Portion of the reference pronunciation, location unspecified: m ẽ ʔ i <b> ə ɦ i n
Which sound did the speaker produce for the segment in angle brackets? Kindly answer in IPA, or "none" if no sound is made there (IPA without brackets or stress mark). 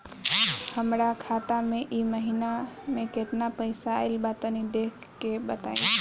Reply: m